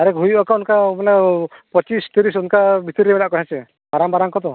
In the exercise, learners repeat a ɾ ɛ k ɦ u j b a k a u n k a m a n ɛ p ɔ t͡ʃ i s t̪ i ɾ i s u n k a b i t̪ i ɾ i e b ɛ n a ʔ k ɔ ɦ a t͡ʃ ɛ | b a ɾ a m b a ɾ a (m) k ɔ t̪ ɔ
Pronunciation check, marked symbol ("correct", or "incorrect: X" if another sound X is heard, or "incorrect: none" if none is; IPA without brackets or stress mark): incorrect: ŋ